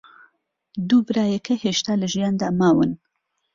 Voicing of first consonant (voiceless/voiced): voiced